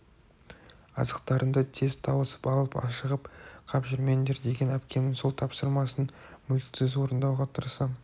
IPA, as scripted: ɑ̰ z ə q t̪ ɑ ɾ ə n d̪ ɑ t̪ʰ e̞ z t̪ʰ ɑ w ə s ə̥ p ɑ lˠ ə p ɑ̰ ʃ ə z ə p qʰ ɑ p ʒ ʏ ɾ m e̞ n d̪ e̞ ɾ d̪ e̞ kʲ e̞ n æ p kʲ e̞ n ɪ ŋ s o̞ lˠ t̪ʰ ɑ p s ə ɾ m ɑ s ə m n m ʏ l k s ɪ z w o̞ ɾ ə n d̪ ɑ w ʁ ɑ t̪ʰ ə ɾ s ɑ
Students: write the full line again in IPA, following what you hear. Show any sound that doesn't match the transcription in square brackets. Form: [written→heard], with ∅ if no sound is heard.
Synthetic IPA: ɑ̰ z ə q t̪ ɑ ɾ ə n d̪ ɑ t̪ʰ e̞ z t̪ʰ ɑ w ə s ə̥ p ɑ lˠ ə p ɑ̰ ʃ ə [z→ʁ] ə p qʰ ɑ p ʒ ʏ ɾ m e̞ n d̪ e̞ ɾ d̪ e̞ [kʲ→ɡʲ] e̞ n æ p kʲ e̞ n ɪ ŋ s o̞ lˠ t̪ʰ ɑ p s ə ɾ m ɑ s ə [m→∅] n m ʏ l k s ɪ z w o̞ ɾ ə n d̪ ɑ w ʁ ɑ t̪ʰ ə ɾ s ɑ

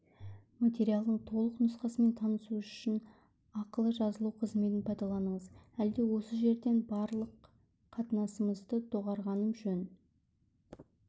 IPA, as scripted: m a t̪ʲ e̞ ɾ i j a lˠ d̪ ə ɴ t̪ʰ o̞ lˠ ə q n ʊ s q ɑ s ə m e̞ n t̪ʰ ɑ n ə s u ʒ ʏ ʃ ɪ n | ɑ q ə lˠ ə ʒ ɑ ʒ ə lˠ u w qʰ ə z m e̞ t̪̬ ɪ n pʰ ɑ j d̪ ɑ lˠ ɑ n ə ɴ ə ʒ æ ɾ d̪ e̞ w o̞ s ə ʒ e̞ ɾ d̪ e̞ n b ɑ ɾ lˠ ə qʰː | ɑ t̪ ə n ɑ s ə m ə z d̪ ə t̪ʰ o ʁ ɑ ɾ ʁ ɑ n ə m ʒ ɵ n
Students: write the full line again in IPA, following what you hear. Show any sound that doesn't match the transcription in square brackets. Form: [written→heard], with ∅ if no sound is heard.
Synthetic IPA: m a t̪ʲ e̞ ɾ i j a lˠ d̪ ə ɴ t̪ʰ o̞ lˠ ə q n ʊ s q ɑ s ə m e̞ n t̪ʰ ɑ n ə s u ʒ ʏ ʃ ɪ n | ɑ q ə lˠ ə ʒ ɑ [ʒ→z] ə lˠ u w qʰ ə z m e̞ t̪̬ ɪ n pʰ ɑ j d̪ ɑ lˠ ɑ n ə ɴ ə [ʒ→z] æ [ɾ→l] d̪ e̞ w o̞ s ə ʒ e̞ ɾ d̪ e̞ n b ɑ ɾ lˠ ə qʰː | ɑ t̪ ə n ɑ s ə m ə z d̪ ə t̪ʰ o ʁ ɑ ɾ ʁ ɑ n ə m ʒ ɵ n

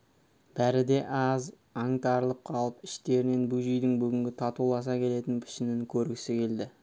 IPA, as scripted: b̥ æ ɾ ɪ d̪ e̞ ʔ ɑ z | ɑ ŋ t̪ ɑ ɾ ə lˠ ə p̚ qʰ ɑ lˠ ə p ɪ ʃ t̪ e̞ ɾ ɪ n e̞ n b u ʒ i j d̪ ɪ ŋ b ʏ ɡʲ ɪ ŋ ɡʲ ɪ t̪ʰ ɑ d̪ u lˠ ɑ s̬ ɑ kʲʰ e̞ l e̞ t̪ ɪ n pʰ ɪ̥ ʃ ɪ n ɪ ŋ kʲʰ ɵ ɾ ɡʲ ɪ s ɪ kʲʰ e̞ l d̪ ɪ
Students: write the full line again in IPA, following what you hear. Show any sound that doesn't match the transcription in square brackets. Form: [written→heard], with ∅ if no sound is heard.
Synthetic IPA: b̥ æ ɾ ɪ d̪ e̞ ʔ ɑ z | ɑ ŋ t̪ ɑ ɾ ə lˠ ə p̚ qʰ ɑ lˠ ə p ɪ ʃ t̪ e̞ ɾ ɪ n e̞ n b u ʒ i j d̪ ɪ ŋ b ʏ ɡʲ ɪ ŋ ɡʲ ɪ t̪ʰ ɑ [d̪→t̪] u lˠ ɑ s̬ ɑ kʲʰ e̞ l e̞ t̪ ɪ n pʰ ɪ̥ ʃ ɪ n ɪ ŋ kʲʰ ɵ ɾ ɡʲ ɪ s ɪ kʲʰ e̞ l d̪ ɪ

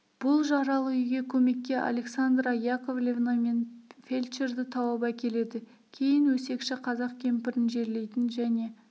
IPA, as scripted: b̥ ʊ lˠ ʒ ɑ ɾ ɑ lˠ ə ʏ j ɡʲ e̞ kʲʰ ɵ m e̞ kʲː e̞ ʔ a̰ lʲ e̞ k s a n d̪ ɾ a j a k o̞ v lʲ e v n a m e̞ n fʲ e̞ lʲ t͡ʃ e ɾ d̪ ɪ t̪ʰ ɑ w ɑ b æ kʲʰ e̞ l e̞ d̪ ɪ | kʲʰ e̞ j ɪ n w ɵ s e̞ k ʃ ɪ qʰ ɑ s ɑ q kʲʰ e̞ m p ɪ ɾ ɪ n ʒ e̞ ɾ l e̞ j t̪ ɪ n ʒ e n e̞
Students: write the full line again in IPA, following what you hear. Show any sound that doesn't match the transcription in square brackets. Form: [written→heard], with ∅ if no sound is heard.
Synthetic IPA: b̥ ʊ lˠ ʒ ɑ ɾ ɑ lˠ ə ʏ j ɡʲ e̞ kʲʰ ɵ m e̞ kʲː e̞ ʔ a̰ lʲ e̞ k s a n d̪ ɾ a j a k o̞ v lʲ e v n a m e̞ n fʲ e̞ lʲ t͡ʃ e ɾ d̪ ɪ t̪ʰ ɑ w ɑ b æ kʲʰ e̞ l e̞ d̪ ɪ | kʲʰ e̞ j ɪ n w ɵ s e̞ k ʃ ɪ qʰ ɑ [s→z] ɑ q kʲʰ e̞ m p ɪ ɾ ɪ n ʒ e̞ ɾ l e̞ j t̪ ɪ n ʒ [e→æ] n e̞

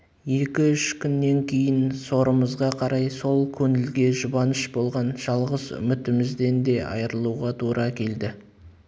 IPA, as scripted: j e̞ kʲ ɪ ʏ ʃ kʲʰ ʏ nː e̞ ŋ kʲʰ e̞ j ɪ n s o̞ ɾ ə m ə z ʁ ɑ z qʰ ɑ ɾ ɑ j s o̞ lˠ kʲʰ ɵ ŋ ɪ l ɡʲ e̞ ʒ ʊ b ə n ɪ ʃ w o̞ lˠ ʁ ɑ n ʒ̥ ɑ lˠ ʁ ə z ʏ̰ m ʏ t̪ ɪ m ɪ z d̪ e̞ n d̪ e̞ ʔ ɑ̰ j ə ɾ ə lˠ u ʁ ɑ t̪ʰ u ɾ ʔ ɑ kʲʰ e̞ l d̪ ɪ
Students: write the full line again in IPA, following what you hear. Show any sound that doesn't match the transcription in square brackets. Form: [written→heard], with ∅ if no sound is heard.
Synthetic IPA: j e̞ kʲ ɪ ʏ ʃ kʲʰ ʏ nː e̞ ŋ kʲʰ e̞ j ɪ n s o̞ ɾ ə m ə z ʁ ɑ [z→∅] qʰ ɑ ɾ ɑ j s o̞ lˠ kʲʰ ɵ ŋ ɪ l ɡʲ e̞ ʒ ʊ b [ə→ɑ] n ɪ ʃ [w→b] o̞ lˠ ʁ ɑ n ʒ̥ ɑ lˠ ʁ ə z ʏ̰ m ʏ t̪ ɪ m ɪ z d̪ e̞ n d̪ e̞ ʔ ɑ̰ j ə ɾ ə lˠ u ʁ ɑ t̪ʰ u ɾ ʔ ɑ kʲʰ e̞ l d̪ ɪ

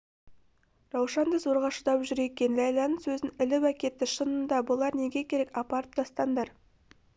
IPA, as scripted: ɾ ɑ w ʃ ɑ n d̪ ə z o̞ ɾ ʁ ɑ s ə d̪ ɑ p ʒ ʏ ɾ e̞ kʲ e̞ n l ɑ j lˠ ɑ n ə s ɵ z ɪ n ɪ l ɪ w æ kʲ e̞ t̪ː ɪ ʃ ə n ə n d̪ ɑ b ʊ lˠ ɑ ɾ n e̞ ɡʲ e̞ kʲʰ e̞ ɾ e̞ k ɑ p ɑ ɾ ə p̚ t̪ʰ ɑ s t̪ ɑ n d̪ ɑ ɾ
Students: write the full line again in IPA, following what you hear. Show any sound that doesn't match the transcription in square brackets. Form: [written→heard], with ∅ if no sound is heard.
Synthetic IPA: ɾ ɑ w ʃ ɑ n d̪ ə z o̞ ɾ ʁ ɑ [s→ʃ] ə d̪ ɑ p ʒ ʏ ɾ e̞ kʲ e̞ n l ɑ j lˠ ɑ n ə s ɵ z ɪ n ɪ l ɪ w æ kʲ e̞ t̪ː ɪ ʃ ə n ə n d̪ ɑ b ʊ lˠ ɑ ɾ n e̞ ɡʲ e̞ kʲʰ e̞ ɾ e̞ k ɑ p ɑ ɾ ə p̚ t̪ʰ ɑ s t̪ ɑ n d̪ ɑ ɾ

